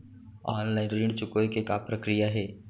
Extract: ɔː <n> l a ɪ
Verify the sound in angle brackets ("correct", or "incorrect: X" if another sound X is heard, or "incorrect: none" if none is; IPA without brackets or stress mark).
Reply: correct